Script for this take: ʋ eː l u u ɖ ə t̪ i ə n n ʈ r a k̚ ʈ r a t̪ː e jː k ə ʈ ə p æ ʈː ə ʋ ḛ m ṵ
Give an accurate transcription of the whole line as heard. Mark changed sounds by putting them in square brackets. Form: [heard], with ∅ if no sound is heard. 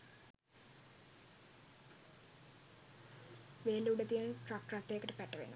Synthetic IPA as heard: ʋ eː l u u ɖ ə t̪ i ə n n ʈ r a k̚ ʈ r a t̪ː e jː k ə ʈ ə p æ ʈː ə ʋ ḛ [n] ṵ